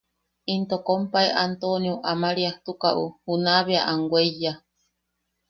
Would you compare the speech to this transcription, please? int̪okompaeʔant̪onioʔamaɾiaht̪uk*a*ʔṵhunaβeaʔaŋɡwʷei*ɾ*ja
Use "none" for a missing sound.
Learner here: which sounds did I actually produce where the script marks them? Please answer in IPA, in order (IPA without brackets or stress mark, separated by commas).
a, none